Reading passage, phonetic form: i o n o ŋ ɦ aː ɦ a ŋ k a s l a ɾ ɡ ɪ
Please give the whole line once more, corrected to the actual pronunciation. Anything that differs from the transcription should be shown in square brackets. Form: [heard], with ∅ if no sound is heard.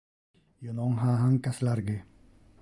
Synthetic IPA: [j] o n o ŋ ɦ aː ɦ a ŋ k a s l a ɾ ɡ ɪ